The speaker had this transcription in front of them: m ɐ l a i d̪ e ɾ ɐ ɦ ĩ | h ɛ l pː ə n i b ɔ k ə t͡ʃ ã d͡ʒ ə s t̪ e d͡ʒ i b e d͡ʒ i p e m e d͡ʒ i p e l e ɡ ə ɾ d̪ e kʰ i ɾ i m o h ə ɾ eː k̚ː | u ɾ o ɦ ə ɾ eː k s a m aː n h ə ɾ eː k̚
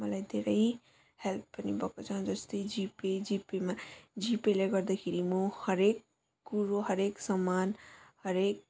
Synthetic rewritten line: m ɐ l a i d̪ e ɾ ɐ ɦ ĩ | h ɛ l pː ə n i b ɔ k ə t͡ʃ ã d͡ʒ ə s t̪ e d͡ʒ i p e d͡ʒ i p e m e d͡ʒ i p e l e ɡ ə ɾ d̪ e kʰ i ɾ i m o h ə ɾ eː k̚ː | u ɾ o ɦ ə ɾ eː k s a m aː n h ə ɾ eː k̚